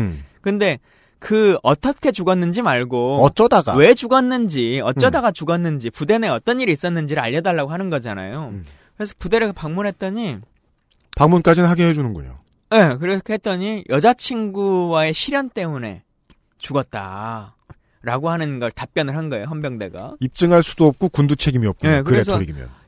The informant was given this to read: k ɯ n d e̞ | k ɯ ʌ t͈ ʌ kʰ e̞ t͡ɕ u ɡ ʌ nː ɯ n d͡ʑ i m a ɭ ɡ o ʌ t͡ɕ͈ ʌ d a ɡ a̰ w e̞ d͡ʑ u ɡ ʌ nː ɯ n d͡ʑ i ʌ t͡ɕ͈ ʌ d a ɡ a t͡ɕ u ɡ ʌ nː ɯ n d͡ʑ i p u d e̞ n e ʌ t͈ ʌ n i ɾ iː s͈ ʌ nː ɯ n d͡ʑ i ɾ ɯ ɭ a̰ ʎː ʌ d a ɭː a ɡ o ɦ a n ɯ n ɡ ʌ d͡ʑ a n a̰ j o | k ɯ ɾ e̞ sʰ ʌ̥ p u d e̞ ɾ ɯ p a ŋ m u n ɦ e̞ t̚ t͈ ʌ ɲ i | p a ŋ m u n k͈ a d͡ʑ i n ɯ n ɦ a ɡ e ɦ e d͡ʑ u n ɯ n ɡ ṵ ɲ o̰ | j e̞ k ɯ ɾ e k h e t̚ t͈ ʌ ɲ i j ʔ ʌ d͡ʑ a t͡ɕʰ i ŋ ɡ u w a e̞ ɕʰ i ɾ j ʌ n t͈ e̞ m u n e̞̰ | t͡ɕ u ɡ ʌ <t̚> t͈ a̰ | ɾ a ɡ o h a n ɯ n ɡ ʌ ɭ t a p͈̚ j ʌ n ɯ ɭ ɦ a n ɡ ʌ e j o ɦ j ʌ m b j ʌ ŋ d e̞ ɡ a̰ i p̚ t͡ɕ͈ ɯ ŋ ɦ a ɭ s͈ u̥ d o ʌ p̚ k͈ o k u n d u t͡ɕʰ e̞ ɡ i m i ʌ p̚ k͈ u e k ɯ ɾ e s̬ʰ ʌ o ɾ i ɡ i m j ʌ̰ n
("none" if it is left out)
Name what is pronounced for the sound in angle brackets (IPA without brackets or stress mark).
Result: t̚